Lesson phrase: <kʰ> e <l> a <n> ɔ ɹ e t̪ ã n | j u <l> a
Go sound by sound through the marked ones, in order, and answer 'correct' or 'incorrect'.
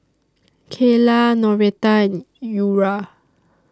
correct, correct, correct, incorrect

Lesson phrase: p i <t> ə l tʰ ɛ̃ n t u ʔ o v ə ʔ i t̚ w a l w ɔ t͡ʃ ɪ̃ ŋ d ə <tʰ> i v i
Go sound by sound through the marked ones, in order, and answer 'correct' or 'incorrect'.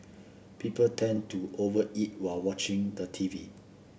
incorrect, correct

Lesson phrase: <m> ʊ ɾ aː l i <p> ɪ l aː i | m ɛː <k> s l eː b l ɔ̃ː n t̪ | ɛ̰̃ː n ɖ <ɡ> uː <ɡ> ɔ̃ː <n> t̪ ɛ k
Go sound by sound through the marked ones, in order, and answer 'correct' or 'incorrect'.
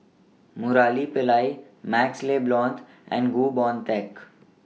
correct, correct, correct, correct, incorrect, correct

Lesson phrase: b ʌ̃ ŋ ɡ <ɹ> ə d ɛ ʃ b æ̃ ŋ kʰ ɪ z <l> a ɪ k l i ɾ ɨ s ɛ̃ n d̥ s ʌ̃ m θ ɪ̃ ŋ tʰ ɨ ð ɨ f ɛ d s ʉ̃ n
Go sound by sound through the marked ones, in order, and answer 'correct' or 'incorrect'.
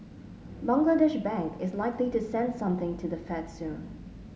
incorrect, correct

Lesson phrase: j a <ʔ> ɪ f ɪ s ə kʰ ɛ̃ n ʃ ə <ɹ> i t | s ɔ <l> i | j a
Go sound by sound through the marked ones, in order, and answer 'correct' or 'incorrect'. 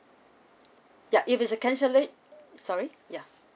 correct, incorrect, incorrect

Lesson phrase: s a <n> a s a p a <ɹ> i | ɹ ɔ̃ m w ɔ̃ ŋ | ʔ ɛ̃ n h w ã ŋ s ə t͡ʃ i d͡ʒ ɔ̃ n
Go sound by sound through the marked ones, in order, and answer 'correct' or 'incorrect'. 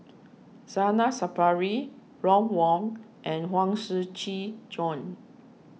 correct, correct

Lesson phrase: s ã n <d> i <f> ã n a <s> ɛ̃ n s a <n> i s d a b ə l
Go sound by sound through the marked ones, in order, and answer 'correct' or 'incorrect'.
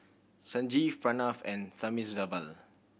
incorrect, correct, incorrect, incorrect

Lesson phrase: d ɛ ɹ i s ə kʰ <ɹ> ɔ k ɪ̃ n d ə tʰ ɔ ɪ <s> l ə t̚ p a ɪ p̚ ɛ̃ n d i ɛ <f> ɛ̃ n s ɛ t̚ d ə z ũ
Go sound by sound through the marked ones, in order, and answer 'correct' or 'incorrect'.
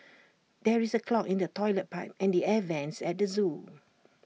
incorrect, incorrect, incorrect

